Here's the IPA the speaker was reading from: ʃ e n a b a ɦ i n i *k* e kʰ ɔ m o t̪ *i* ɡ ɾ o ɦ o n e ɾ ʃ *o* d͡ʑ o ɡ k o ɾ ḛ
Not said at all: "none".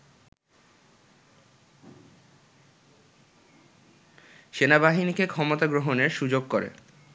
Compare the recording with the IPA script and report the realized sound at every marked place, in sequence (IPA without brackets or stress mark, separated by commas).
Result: k, a, u